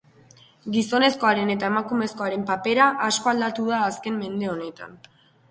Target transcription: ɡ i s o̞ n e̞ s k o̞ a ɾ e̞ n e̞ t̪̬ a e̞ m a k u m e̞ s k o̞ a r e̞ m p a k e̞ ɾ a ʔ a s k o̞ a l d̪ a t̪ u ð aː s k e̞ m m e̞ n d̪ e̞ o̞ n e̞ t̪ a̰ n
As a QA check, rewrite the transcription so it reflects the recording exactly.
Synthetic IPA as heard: ɡ i s o̞ n e̞ s k o̞ a ɾ e̞ n e̞ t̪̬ a e̞ m a k u m e̞ s k o̞ a ɾ e̞ m p a p e̞ ɾ a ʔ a s k o̞ a l d̪ a t̪ u ð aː s k e̞ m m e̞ n d̪ e̞ o̞ n e̞ t̪ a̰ n